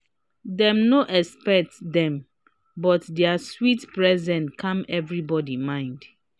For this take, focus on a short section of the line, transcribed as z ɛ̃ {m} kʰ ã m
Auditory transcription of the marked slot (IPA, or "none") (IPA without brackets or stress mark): n